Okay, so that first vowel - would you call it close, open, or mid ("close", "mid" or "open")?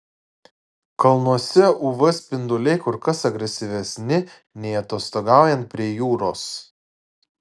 open